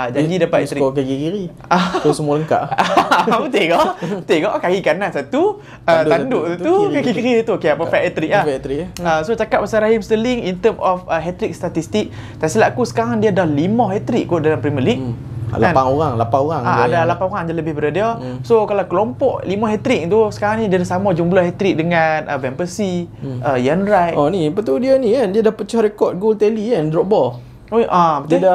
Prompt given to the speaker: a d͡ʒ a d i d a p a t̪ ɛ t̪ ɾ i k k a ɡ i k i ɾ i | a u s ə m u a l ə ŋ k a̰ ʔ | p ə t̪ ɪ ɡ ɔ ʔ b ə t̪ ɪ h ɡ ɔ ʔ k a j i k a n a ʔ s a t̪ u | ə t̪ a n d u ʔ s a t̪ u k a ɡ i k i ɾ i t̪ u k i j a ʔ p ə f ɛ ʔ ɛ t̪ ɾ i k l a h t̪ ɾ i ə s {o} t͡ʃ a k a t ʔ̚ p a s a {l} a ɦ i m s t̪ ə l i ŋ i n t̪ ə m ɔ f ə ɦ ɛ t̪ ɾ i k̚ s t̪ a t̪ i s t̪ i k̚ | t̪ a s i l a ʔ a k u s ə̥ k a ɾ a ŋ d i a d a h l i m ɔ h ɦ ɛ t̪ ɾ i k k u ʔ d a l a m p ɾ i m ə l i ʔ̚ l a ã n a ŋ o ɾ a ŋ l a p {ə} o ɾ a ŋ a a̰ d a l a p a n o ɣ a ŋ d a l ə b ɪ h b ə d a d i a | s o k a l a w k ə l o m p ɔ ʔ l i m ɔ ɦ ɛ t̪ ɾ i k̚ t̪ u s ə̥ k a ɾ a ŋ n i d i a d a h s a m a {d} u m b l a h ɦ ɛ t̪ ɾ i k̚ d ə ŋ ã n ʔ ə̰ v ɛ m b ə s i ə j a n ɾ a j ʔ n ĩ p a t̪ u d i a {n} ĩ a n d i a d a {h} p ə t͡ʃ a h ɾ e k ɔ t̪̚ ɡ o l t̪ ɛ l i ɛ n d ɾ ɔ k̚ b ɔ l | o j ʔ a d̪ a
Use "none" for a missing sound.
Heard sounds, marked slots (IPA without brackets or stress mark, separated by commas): o, ɾ, a, d͡ʒ, n, h